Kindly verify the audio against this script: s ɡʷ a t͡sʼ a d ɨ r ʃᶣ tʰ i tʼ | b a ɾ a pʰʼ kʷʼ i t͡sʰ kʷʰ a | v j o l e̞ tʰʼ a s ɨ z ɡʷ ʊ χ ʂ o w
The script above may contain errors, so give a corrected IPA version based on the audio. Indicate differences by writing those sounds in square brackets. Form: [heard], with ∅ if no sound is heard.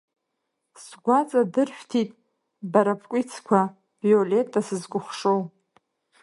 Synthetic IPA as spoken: s ɡʷ a t͡sʼ a d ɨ r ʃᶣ tʰ i tʼ | b a ɾ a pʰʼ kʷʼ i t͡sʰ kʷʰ a | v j o l e̞ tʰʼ a s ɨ z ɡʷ ʊ χ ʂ o w